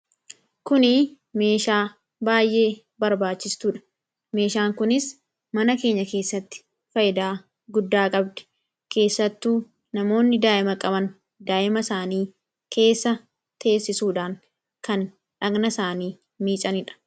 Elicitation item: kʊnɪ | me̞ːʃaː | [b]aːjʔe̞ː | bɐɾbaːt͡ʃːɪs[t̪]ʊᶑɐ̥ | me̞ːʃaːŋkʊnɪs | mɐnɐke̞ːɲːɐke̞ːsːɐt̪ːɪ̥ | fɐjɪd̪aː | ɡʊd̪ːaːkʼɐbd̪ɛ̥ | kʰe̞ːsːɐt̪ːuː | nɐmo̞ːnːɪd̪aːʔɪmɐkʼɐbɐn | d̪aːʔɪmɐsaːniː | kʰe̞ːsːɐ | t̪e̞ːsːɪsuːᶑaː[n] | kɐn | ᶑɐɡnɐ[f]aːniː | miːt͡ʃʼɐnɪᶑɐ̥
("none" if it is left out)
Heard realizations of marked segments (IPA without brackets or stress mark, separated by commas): b, t̪, ŋ, s